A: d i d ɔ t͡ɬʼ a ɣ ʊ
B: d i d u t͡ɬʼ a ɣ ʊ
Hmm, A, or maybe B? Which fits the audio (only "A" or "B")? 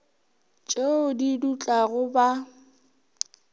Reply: B